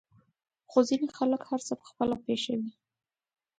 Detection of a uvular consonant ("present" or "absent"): absent